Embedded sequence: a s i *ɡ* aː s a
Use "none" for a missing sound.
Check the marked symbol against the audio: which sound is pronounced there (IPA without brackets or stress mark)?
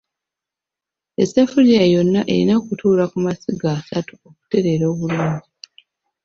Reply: ɡ